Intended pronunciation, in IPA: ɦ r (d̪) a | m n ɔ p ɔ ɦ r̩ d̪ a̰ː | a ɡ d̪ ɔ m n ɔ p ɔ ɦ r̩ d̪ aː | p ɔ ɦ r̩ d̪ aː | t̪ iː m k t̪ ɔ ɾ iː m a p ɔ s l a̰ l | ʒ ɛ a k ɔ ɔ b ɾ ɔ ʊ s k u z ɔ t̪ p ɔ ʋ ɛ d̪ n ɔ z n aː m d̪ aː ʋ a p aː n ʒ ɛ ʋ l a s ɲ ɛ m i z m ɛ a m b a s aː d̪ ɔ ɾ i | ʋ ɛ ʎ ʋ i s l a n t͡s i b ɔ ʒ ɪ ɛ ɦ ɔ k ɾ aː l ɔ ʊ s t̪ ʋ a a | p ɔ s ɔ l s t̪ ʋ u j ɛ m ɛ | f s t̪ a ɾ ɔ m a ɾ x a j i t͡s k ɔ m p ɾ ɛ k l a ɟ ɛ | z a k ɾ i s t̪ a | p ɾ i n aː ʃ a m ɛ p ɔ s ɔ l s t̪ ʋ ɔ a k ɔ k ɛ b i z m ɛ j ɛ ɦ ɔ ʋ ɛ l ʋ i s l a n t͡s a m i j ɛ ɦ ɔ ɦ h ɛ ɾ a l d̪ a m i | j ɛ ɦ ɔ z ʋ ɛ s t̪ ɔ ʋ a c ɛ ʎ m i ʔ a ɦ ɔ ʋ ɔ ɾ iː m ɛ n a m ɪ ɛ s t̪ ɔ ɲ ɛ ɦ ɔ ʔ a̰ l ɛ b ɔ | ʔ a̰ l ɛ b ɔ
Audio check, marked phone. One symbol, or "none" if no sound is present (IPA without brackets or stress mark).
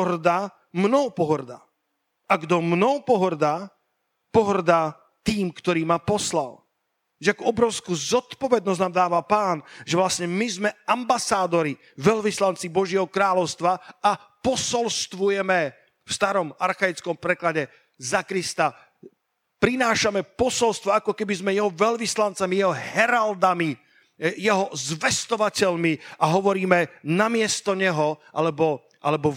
d̪